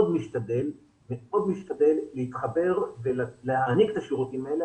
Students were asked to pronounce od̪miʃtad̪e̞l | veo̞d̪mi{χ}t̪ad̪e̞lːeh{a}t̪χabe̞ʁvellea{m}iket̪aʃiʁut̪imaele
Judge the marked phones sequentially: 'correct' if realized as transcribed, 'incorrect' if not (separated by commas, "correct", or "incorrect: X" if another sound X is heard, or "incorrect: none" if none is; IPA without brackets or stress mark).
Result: incorrect: ʃ, incorrect: i, incorrect: n